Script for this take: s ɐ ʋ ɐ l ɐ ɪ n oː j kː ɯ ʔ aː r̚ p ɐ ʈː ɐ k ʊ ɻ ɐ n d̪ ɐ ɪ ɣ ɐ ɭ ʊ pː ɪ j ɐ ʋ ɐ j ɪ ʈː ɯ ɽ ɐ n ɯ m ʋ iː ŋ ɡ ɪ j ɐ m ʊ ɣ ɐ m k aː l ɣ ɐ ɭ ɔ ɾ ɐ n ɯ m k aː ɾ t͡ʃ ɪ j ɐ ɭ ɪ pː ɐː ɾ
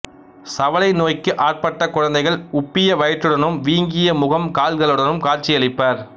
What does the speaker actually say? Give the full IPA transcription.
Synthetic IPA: s ɐ ʋ ɐ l ɐ ɪ n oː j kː ɯ ʔ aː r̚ p ɐ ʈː ɐ k ʊ ɻ ɐ n d̪ ɐ ɪ ɣ ɐ ɭ ʊ pː ɪ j ɐ ʋ ɐ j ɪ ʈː ɯ ɽ ɐ n ɯ m ʋ iː ŋ ɡ ɪ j ɐ m ʊ ɣ ɐ m k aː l ɣ ɐ ɭ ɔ ɽ ɐ n ɯ m k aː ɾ t͡ʃ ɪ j ɐ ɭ ɪ pː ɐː ɾ